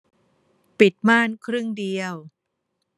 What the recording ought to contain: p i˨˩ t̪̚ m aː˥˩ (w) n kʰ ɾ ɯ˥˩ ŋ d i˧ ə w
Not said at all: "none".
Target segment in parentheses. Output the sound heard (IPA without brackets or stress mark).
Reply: none